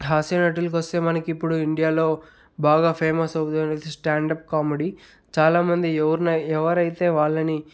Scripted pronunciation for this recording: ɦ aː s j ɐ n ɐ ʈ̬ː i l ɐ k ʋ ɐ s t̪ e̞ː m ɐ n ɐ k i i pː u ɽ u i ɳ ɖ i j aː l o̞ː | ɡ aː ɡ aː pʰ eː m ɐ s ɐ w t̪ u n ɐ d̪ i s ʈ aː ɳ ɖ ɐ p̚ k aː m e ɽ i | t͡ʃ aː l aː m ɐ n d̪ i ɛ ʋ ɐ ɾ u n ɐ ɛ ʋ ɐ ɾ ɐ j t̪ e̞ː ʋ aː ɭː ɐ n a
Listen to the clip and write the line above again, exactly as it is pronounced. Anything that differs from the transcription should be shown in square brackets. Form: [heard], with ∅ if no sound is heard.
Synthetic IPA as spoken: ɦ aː s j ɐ n ɐ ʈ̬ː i l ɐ k ʋ ɐ s t̪ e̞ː m ɐ n ɐ k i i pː u ɽ u i ɳ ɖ i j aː l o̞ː | [b] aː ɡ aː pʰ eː m ɐ s ɐ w t̪ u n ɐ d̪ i s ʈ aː ɳ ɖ ɐ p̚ k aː m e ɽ i | t͡ʃ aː l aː m ɐ n d̪ i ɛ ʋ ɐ ɾ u n ɐ ɛ ʋ ɐ ɾ ɐ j t̪ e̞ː ʋ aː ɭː ɐ n [i]

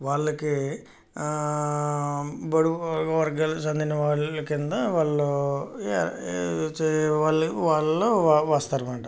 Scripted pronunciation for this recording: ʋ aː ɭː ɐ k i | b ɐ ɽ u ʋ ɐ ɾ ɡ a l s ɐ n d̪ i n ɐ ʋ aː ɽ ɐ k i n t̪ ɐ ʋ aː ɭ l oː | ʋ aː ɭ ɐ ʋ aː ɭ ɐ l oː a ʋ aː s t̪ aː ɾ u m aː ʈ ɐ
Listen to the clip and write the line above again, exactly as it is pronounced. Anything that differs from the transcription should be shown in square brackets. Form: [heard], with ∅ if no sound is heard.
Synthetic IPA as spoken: ʋ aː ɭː ɐ k i | b ɐ ɽ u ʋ ɐ ɾ ɡ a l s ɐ n d̪ i n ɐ ʋ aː [ɭ] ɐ k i n [d̪] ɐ ʋ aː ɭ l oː | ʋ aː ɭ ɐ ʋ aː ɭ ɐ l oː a ʋ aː s t̪ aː ɾ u m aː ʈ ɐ

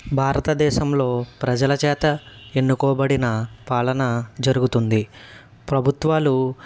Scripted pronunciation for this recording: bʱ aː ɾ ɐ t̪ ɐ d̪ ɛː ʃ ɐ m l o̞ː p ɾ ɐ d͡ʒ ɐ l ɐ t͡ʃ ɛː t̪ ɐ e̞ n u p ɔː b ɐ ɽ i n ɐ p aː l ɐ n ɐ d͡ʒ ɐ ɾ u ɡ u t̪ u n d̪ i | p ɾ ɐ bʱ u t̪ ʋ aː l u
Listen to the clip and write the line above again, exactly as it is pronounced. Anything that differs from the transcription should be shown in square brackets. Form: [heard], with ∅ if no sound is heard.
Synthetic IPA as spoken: bʱ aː ɾ ɐ t̪ ɐ d̪ ɛː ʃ ɐ m l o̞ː p ɾ ɐ d͡ʒ ɐ l ɐ t͡ʃ ɛː t̪ ɐ e̞ [nː] u [k] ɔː b ɐ ɽ i n ɐ p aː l ɐ n ɐ d͡ʒ ɐ ɾ u ɡ u t̪ u n d̪ i | p ɾ ɐ bʱ u t̪ ʋ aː l u

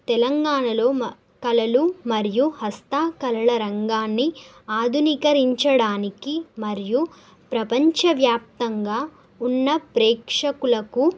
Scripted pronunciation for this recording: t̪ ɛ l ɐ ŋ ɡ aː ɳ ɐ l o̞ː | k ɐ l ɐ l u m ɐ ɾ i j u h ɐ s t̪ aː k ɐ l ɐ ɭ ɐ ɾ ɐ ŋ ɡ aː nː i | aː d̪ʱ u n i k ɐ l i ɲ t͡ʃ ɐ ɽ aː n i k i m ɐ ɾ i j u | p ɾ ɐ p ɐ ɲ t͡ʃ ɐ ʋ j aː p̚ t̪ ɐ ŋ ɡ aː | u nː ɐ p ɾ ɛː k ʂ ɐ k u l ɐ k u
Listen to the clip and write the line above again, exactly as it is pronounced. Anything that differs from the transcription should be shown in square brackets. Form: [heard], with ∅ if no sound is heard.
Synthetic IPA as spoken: t̪ ɛ l ɐ ŋ ɡ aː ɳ ɐ l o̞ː | k ɐ l ɐ l u m ɐ ɾ i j u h ɐ s t̪ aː k ɐ l ɐ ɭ ɐ ɾ ɐ ŋ ɡ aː nː i | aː d̪ʱ u n i k ɐ [ɾ] i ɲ t͡ʃ ɐ ɽ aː n i k i m ɐ ɾ i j u | p ɾ ɐ p ɐ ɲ t͡ʃ ɐ ʋ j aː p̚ t̪ ɐ ŋ ɡ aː | u nː ɐ p ɾ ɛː k ʂ ɐ k u l ɐ k u

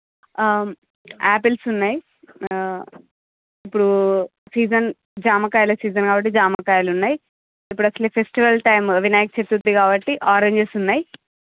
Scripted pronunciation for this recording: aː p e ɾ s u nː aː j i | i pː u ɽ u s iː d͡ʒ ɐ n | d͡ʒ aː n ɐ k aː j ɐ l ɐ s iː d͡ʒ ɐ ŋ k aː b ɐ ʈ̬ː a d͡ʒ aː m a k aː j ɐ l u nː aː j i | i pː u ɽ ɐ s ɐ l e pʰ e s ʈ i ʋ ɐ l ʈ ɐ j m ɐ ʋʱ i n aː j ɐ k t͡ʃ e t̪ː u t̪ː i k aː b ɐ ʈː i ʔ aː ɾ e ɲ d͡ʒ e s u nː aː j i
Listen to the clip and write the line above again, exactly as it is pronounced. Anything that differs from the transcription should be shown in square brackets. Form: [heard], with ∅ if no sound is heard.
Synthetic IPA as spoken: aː p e [l] s u nː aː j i | i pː u ɽ u s iː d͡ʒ ɐ n | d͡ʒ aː [m] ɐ k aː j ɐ l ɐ s iː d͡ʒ ɐ [n] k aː b ɐ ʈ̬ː [i] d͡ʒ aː m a k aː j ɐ l u nː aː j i | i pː u ɽ ɐ s ɐ l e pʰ e s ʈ i ʋ ɐ l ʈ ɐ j m ɐ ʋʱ i n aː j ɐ k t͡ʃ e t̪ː u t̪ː i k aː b ɐ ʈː i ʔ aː ɾ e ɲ d͡ʒ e s u nː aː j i

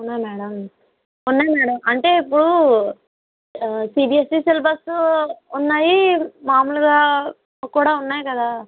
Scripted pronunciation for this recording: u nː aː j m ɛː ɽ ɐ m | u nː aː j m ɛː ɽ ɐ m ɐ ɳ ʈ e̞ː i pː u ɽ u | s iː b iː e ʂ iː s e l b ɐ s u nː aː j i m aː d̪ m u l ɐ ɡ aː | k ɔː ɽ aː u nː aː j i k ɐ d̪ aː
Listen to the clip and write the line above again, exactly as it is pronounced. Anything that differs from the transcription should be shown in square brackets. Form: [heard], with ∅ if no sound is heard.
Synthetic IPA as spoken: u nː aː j m ɛː ɽ ɐ m | u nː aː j m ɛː ɽ ɐ m ɐ ɳ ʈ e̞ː i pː u ɽ u | s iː b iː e [s] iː s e l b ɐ s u nː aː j i m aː [∅] m u l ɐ ɡ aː | k [uː] ɽ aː u nː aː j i k ɐ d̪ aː

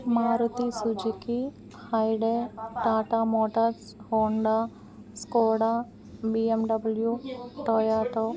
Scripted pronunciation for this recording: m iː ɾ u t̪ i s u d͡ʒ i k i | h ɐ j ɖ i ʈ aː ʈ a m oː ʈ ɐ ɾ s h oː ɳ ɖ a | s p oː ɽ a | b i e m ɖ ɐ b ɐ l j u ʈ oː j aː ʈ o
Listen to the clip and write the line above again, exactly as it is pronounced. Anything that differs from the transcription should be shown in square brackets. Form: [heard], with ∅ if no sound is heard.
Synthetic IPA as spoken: m [aː] ɾ u t̪ i s u d͡ʒ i k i | h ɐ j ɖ [e] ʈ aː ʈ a m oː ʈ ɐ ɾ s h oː ɳ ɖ a | s [k] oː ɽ a | b i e m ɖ ɐ b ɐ l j u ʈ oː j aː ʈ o

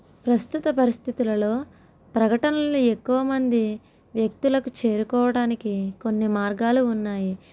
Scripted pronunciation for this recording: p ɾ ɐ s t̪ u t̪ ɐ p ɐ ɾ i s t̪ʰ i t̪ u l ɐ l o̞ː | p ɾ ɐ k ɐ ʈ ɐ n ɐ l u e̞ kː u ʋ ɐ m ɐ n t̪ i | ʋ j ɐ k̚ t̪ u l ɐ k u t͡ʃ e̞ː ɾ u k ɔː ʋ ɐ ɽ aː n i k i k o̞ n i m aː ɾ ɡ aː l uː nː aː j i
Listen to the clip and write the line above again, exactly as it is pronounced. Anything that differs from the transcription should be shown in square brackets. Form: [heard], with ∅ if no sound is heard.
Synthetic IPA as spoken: p ɾ ɐ s t̪ u t̪ ɐ p ɐ ɾ i s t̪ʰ i t̪ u l ɐ l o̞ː | p ɾ ɐ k ɐ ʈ ɐ n ɐ l u e̞ kː u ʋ ɐ m ɐ n [d̪] i | ʋ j ɐ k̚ t̪ u l ɐ k u t͡ʃ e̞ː ɾ u k ɔː ʋ ɐ ɽ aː n i k i k o̞ [nː] i m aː ɾ ɡ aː l uː nː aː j i

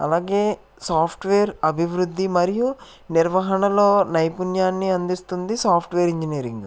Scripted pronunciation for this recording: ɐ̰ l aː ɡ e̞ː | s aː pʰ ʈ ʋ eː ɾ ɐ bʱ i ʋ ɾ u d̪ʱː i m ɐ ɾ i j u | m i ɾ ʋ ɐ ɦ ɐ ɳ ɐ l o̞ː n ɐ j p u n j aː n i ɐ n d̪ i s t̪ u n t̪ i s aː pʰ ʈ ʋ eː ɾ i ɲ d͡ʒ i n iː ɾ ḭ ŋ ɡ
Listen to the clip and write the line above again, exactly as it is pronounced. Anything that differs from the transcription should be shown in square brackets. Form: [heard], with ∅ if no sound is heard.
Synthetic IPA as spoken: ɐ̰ l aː ɡ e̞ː | s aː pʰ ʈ ʋ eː ɾ ɐ bʱ i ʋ ɾ u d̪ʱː i m ɐ ɾ i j u | [n] i ɾ ʋ ɐ ɦ ɐ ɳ ɐ l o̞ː n ɐ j p u n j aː [nː] i ɐ n d̪ i s t̪ u n [d̪] i s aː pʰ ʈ ʋ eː ɾ i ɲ d͡ʒ i n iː ɾ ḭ ŋ ɡ

